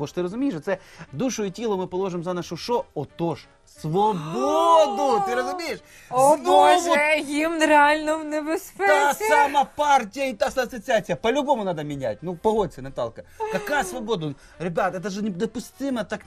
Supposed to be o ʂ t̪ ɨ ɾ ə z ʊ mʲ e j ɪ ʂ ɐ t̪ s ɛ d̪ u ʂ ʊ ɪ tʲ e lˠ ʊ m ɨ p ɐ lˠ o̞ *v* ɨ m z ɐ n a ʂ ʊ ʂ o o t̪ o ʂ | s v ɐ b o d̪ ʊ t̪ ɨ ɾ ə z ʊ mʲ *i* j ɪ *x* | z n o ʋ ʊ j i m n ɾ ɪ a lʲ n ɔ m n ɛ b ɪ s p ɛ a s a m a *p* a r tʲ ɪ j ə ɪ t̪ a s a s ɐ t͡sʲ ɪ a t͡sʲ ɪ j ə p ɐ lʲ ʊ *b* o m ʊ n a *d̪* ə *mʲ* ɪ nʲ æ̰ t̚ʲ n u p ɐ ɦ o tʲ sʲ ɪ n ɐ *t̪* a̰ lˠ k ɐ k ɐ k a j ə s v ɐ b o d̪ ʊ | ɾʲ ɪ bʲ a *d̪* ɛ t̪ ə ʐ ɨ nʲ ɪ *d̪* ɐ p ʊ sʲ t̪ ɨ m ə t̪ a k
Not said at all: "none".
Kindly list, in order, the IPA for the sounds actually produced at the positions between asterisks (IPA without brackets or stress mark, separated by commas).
ʐ, e, ʂ, p, b, d̪, mʲ, t̪, t̪, d̪